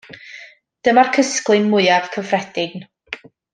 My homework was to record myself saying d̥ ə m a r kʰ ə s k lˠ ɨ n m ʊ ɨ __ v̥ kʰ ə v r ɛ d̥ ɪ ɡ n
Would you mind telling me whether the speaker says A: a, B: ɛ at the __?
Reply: A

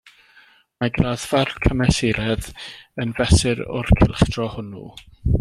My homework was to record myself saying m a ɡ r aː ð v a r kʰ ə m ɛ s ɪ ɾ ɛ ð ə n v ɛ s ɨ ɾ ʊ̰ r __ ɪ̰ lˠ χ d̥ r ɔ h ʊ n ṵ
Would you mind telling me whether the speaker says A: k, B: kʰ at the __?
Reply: B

